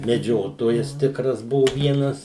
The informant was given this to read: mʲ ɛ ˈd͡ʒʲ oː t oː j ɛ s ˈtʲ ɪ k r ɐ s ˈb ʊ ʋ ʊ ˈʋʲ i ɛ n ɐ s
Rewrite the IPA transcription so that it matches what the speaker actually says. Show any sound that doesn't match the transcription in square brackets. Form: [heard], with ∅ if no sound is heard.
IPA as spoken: mʲ ɛ ˈd͡ʒʲ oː t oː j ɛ s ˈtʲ ɪ k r ɐ s ˈb ʊ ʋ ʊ ˈʋʲ i ɛ n ɐ s